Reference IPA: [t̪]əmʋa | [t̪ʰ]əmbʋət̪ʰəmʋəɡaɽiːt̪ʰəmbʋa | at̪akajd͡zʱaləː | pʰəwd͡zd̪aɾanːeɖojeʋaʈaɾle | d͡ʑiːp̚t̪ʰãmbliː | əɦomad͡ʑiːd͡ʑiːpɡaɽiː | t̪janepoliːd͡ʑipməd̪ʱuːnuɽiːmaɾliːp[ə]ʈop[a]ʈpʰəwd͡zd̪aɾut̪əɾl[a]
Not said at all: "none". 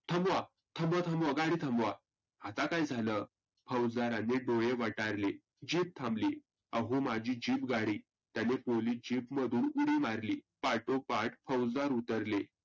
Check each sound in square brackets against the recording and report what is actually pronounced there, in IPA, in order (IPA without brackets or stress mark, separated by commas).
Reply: t̪ʰ, t̪ʰ, a, a, e